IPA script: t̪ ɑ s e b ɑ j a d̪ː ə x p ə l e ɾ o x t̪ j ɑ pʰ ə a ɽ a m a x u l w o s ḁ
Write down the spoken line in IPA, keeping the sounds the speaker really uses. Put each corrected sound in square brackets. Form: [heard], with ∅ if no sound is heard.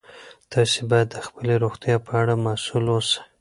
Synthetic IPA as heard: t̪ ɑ s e b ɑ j a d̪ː ə x p ə l e ɾ o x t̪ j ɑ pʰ ə a ɽ a m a [s] u l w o s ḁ